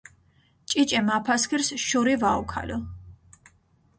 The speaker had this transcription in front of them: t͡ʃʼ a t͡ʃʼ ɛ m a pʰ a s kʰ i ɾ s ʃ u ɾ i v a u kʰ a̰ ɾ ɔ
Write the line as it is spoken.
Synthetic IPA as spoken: t͡ʃʼ i t͡ʃʼ ɛ m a pʰ a s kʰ i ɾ s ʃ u ɾ i v a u kʰ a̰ l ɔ